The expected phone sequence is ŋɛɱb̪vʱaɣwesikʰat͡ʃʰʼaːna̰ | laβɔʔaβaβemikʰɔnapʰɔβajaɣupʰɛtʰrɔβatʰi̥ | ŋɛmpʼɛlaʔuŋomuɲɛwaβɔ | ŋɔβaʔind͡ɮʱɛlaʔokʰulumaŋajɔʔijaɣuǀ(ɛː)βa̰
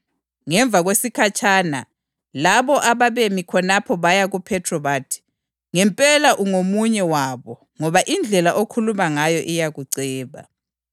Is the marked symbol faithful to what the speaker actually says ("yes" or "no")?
yes